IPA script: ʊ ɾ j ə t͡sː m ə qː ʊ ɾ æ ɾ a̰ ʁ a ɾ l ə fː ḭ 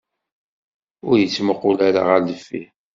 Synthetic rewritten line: ʊ ɾ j ə t͡sː m ə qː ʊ l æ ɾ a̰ ʁ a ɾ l ə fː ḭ